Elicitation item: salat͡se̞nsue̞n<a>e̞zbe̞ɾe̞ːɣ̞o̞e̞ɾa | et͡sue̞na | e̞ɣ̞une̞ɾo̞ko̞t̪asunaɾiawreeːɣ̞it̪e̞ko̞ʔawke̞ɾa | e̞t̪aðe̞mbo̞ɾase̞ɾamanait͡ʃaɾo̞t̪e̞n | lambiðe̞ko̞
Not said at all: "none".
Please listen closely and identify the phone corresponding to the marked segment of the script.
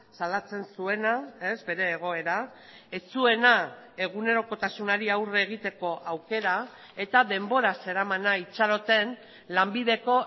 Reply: a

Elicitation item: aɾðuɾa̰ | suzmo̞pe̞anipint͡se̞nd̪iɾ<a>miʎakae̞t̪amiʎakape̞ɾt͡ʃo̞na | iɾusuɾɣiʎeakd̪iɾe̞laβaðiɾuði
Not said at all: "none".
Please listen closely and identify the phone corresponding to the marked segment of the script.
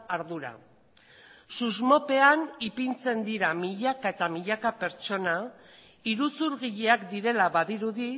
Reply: a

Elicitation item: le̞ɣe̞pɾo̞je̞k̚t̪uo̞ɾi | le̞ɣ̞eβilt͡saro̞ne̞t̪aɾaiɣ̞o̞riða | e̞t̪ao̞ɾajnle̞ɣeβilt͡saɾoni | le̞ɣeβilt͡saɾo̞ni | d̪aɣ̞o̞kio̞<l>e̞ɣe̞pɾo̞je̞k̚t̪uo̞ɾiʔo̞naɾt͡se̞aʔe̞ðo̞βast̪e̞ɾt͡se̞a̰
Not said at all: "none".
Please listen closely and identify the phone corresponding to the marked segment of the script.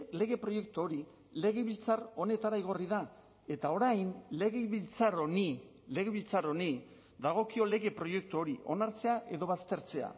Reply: l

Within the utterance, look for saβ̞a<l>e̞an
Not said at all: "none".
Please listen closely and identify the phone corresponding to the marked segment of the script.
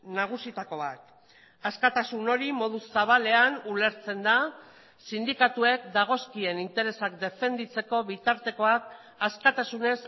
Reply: l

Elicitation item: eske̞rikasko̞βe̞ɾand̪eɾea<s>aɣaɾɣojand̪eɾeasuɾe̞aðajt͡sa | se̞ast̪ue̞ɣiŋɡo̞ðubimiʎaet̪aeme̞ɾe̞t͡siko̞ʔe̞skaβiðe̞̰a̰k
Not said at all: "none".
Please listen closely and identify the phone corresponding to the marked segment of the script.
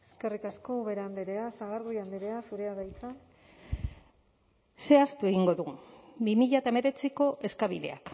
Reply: s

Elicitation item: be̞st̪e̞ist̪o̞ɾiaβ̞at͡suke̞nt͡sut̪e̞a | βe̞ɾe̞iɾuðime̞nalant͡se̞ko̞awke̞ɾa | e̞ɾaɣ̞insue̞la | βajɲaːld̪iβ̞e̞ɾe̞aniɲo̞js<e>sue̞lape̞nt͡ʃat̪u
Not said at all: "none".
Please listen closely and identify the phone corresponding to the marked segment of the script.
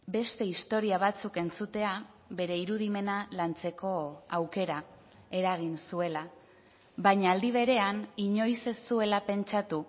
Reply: e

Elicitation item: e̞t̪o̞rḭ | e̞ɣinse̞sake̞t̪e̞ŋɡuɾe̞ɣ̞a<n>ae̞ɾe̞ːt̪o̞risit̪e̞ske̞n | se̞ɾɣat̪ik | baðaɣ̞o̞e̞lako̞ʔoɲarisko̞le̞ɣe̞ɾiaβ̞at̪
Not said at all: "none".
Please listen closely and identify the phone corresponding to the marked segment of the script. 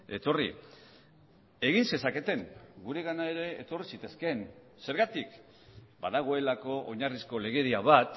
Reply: n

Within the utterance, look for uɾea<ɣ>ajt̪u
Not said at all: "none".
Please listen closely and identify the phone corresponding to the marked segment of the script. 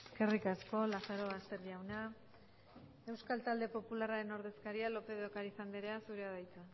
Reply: ð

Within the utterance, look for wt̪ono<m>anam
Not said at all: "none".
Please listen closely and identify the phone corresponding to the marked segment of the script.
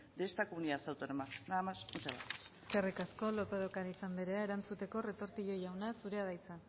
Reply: m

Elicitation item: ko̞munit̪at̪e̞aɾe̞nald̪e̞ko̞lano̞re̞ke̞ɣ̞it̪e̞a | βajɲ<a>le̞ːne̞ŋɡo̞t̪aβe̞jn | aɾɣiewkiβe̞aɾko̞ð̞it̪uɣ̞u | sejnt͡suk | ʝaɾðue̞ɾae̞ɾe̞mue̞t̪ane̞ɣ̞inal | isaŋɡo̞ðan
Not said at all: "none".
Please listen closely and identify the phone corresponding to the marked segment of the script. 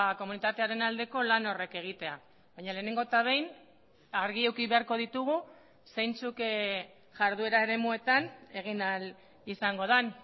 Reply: a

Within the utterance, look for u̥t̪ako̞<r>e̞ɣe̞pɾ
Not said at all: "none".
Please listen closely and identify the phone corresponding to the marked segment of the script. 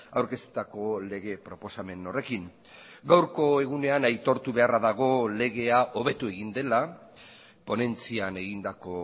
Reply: l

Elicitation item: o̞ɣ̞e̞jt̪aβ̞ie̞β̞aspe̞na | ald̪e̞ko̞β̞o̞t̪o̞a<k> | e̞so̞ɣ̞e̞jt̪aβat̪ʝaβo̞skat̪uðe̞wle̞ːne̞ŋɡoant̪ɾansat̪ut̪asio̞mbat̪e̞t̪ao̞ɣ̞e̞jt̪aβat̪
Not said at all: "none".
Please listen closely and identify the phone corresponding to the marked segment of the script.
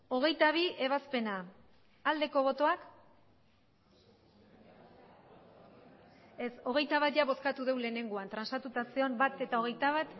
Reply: k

